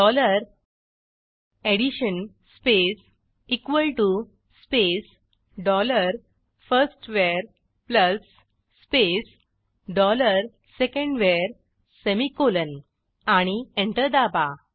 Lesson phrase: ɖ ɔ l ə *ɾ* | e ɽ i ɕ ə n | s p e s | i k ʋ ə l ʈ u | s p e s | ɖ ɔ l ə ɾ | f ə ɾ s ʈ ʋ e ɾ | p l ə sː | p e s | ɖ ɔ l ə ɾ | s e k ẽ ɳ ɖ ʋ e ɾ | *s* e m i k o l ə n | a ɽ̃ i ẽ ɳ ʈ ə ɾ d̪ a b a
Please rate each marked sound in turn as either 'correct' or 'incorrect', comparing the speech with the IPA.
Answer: correct, correct

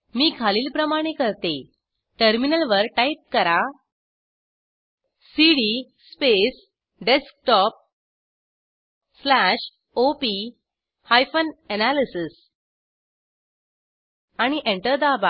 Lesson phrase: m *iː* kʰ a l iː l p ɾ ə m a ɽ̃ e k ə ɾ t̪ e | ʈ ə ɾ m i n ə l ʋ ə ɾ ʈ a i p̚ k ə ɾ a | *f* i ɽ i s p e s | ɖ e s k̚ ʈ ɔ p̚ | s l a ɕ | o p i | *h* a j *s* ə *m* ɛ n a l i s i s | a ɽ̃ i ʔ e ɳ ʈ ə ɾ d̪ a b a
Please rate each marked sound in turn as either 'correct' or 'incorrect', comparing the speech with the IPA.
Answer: correct, incorrect, correct, incorrect, incorrect

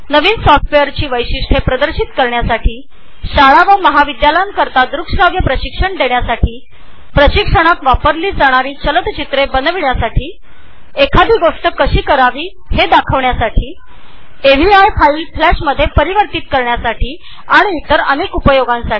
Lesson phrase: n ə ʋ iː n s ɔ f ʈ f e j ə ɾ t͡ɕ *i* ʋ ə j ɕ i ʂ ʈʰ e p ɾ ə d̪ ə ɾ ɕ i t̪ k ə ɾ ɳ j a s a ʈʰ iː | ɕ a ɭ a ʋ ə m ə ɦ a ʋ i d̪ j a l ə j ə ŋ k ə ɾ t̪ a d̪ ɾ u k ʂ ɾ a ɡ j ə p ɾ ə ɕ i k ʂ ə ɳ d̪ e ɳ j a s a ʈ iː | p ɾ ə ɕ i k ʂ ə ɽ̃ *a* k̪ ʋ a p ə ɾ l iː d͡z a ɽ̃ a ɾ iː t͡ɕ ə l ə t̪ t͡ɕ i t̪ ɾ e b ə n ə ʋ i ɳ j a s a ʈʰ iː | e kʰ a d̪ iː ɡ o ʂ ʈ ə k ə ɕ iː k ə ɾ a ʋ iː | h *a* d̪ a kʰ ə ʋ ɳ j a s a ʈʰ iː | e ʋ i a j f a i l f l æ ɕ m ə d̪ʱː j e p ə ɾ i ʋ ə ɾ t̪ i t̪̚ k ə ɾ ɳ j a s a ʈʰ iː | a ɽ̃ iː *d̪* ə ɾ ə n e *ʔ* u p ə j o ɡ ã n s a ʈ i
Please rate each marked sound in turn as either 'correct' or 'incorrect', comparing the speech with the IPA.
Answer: incorrect, correct, incorrect, incorrect, incorrect

